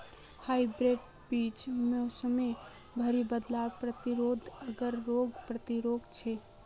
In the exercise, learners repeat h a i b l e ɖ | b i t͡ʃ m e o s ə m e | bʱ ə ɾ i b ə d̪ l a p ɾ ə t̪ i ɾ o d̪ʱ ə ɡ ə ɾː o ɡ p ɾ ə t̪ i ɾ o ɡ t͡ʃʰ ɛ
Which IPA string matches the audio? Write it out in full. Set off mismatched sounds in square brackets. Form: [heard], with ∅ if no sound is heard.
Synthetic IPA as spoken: h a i b [ɾ] e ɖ | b i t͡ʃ m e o s ə m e | bʱ ə ɾ i b ə d̪ l a p ɾ ə t̪ i ɾ o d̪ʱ ə ɡ ə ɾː o ɡ p ɾ ə t̪ i ɾ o ɡ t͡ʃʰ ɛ